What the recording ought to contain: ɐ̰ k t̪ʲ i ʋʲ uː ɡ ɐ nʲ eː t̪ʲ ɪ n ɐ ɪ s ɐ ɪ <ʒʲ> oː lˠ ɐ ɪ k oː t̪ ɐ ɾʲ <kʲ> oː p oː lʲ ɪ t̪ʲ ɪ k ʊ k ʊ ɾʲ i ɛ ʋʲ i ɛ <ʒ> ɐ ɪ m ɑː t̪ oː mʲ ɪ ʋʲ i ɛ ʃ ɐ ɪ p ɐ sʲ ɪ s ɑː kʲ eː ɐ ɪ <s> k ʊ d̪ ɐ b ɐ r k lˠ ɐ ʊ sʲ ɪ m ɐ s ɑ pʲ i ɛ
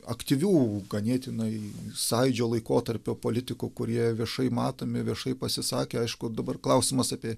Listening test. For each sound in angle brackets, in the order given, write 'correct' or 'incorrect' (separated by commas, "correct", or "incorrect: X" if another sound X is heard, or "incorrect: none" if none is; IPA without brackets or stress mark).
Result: incorrect: d͡ʒʲ, incorrect: pʲ, incorrect: ʃ, incorrect: ʃ